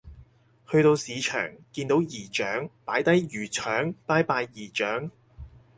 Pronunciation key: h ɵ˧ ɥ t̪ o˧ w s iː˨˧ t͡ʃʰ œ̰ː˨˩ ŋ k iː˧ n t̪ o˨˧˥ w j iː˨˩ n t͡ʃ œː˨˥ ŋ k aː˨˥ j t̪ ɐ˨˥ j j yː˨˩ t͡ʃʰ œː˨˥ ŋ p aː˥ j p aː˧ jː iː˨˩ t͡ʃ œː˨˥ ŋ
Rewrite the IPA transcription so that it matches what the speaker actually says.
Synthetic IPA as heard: h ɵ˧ ɥ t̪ o˧ w s iː˨˧ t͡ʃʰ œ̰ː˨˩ ŋ k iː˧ n t̪ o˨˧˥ w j iː˨˩ t͡ʃ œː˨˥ ŋ p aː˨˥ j t̪ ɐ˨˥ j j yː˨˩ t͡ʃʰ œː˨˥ ŋ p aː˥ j p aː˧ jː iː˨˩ t͡ʃ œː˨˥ ŋ

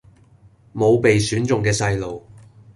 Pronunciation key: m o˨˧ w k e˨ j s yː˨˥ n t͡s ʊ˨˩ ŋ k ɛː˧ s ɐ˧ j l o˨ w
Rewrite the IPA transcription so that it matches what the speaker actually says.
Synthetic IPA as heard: m o˨˧ w p e˨ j s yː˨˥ n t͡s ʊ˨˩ ŋ k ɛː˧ s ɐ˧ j l o˨ w

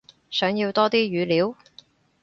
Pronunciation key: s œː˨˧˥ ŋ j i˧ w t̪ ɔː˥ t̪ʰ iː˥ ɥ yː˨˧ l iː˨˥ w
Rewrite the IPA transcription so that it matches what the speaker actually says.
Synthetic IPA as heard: s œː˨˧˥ ŋ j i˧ w t̪ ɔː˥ t̪ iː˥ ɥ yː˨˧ l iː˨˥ w

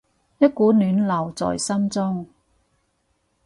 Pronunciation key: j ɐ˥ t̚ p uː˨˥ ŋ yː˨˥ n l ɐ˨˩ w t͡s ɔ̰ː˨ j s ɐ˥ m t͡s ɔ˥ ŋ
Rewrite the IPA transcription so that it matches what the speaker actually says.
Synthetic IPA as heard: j ɐ˥ t̚ k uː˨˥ n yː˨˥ n l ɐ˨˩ w t͡s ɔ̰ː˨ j s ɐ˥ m t͡s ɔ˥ ŋ

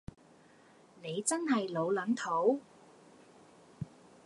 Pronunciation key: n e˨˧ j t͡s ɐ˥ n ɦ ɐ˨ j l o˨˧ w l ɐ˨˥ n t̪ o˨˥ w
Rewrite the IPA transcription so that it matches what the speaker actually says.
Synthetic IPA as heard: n e˨˧ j t͡s ɐ˥ n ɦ ɐ˨ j l o˨˧ w l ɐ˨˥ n t̪ʰ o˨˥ w

